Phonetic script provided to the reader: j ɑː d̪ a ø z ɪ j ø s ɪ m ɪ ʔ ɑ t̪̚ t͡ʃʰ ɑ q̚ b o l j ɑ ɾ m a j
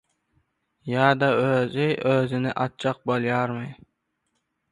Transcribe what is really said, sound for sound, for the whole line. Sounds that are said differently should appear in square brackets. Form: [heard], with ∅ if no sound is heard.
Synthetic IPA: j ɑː d̪ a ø z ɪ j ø [z] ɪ [n] ɪ ʔ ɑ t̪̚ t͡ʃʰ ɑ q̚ b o l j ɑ ɾ m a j

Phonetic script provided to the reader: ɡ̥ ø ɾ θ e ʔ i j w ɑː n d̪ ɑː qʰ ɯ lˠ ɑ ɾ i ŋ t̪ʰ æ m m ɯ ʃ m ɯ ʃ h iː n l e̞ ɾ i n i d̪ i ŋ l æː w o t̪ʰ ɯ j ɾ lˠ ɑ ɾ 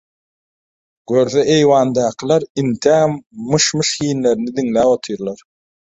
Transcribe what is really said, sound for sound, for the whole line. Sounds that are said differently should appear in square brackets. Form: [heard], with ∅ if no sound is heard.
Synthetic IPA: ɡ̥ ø ɾ θ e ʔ [e] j w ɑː n d̪ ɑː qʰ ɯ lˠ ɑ ɾ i [n] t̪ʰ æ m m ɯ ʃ m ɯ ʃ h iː n l e̞ ɾ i n i d̪ i ŋ l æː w o t̪ʰ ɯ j ɾ lˠ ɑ ɾ

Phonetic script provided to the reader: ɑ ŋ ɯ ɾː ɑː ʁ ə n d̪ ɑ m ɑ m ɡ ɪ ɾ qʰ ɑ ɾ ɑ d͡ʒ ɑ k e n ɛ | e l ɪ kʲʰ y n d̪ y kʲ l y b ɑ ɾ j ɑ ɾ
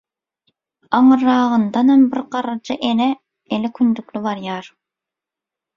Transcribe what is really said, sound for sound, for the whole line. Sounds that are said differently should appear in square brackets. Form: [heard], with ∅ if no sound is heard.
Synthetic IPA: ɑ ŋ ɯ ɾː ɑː ʁ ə n d̪ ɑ [n] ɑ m [b] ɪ ɾ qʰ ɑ ɾ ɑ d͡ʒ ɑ [ʔ] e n ɛ | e l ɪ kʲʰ y n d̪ y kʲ l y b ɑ ɾ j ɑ ɾ

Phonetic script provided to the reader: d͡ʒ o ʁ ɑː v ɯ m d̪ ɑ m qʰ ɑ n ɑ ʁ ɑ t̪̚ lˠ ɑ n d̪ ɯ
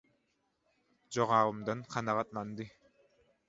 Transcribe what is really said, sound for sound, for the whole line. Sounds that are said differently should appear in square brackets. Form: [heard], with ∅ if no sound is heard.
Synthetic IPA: d͡ʒ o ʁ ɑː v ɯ m d̪ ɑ [n] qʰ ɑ n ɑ ʁ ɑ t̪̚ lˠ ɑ n d̪ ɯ

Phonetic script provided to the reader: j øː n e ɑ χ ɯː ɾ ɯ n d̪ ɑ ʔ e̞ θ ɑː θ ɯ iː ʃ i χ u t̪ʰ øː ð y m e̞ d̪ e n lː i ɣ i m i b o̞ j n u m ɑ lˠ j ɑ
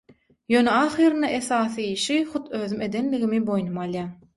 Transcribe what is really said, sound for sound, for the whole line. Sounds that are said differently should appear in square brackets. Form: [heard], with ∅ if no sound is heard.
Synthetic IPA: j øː n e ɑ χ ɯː ɾ ɯ n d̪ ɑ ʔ e̞ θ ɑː θ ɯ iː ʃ i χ u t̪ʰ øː ð y m e̞ d̪ e n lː i ɣ i m i b o̞ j n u m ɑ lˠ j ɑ

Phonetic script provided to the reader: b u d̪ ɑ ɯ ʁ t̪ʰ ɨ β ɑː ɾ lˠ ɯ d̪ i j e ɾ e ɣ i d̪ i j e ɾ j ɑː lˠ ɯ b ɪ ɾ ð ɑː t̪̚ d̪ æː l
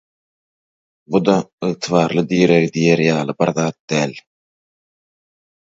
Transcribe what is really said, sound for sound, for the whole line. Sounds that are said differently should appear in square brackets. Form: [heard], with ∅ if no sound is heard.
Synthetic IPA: b u d̪ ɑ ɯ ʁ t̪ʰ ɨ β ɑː ɾ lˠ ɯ d̪ i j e ɾ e ɣ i d̪ i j e ɾ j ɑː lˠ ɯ b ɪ ɾ ð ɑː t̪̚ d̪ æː l

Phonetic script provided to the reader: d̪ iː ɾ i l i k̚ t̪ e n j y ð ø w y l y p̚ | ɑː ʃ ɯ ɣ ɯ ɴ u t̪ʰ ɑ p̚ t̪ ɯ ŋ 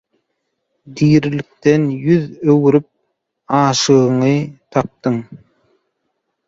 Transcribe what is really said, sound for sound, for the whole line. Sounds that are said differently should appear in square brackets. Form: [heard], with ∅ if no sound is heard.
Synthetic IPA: d̪ iː ɾ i l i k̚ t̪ e n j y ð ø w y [ɾ] y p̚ | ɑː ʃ ɯ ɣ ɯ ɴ [ɯ] t̪ʰ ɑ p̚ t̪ ɯ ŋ

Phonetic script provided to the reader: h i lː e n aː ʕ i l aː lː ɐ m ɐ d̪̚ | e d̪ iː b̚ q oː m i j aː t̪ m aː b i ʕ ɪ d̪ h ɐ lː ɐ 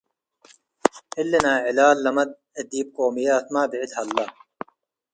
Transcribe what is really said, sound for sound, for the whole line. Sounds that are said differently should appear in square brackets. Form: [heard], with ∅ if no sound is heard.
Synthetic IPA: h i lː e n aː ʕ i l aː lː ɐ m ɐ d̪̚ | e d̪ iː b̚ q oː m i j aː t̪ m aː b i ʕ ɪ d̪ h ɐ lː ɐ

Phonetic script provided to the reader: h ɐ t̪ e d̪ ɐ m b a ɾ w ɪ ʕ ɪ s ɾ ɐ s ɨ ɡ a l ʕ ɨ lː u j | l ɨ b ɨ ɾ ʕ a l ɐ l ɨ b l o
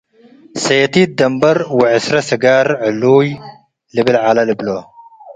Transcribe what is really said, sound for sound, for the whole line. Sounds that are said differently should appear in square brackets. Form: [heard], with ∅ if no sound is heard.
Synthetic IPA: [s] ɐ t̪ [i] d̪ ɐ m b [ɐ] ɾ w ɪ ʕ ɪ s ɾ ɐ s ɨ ɡ a [ɾ] ʕ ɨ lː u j | l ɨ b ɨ [l] ʕ a l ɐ l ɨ b l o

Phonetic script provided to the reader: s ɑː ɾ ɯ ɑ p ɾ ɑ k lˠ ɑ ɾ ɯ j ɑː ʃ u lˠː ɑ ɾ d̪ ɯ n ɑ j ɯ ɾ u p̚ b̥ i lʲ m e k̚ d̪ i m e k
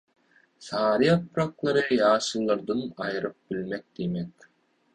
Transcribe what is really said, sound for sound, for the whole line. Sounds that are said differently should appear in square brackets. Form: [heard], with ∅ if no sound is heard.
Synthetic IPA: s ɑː ɾ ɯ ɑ p ɾ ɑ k lˠ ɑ ɾ ɯ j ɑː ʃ [ɯ] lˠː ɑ ɾ d̪ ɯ n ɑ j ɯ ɾ [ɯ] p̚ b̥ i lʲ m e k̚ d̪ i m e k

